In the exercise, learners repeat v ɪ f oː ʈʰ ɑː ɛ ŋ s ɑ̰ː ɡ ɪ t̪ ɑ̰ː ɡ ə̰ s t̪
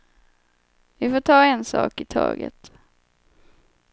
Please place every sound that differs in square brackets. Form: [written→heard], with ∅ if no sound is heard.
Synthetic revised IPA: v ɪ f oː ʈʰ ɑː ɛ [ŋ→n] s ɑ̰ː [ɡ→k] ɪ [t̪→t̪ʰ] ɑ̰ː ɡ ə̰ [s→∅] t̪